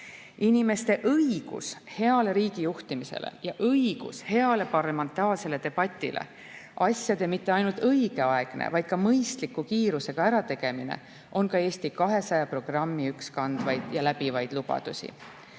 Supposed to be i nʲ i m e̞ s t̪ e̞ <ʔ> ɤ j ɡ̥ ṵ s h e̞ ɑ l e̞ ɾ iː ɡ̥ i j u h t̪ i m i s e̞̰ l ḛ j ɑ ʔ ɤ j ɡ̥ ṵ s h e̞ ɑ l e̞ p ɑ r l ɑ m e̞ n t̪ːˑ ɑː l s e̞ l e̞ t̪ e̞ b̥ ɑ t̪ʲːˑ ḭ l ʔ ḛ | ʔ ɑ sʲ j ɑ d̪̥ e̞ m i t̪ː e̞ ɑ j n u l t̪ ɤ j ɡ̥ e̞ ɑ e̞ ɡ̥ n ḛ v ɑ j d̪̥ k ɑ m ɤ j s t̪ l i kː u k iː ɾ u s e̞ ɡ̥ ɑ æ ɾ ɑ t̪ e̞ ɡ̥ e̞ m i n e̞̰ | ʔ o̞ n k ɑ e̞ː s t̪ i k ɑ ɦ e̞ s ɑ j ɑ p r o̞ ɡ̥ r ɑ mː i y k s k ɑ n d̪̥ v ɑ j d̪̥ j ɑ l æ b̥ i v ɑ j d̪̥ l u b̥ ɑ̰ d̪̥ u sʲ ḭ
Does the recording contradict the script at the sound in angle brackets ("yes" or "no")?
no